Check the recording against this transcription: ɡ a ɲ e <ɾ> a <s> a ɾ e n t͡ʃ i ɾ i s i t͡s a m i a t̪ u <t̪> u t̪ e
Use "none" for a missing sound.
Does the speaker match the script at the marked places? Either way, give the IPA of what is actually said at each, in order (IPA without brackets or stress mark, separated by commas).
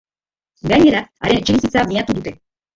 ɾ, none, d̪